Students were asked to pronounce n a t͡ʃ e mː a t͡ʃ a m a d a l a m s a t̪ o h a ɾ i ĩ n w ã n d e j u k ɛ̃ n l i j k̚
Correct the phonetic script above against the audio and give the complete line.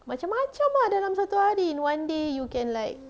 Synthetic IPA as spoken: m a t͡ʃ a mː a t͡ʃ a m a d a l a m s a t̪ u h a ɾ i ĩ n w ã n d e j u k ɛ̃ n l a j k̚

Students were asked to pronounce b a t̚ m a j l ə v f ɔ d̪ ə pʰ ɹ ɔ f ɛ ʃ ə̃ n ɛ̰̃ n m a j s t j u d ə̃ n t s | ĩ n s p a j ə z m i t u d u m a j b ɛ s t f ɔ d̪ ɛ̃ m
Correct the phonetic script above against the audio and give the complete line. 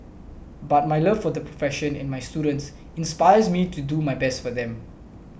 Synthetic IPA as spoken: b a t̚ m a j l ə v f ɔ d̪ ə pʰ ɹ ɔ f ɛ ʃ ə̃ n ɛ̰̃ n m a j s t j u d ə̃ n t s | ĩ n s p a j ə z m i t u d u m a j b ɛ s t f ɔ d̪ ɛ̃ m

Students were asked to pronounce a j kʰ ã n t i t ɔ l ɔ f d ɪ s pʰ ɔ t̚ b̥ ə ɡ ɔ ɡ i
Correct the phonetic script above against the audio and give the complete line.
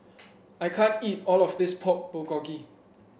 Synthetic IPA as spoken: a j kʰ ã n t i t ɔ l ɔ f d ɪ s pʰ ɔ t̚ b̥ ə ɡ ɔ ɡ i

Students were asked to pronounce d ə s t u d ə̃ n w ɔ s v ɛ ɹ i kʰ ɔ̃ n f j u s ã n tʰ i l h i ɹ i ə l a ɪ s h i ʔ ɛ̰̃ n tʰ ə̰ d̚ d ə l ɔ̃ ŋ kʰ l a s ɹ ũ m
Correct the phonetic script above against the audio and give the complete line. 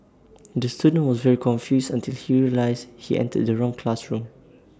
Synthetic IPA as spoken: d ə s t u d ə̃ n w ɔ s v ɛ ɹ i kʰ ɔ̃ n f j u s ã n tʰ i l h i ɹ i ə l a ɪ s h i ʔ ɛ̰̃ n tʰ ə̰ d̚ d ə ɹ ɔ̃ ŋ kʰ l a s ɹ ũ m

